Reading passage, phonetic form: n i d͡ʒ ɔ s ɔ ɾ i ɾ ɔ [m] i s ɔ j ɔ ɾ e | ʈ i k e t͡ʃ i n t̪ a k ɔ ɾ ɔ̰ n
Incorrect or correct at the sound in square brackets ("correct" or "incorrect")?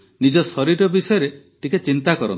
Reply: incorrect